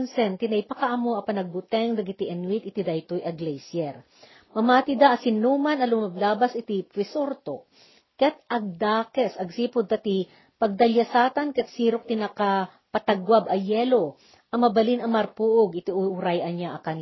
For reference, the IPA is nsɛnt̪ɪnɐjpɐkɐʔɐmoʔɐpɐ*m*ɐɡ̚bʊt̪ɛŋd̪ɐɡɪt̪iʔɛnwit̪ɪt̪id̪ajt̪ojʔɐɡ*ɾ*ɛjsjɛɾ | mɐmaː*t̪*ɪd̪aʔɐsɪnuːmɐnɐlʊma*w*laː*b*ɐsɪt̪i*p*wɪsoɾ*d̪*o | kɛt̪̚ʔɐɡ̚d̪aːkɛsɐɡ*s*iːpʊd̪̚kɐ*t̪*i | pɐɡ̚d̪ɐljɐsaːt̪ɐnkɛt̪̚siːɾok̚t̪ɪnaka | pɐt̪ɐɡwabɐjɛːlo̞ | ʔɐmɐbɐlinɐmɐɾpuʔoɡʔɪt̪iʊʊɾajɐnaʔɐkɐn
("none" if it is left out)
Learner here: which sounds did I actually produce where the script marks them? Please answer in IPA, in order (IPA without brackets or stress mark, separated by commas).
n, l, t̪, b, b, p, t̪, s, t̪